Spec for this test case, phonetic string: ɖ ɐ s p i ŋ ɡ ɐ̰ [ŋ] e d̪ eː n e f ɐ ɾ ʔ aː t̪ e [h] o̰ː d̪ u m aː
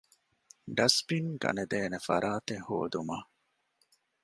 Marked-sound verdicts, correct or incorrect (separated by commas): incorrect, correct